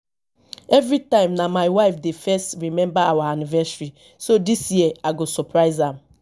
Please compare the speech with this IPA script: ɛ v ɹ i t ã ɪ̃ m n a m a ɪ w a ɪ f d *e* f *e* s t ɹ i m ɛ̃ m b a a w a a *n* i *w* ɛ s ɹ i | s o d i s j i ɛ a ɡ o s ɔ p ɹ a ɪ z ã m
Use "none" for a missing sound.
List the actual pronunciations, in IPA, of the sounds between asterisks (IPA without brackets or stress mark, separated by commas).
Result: e, ɛ, n, v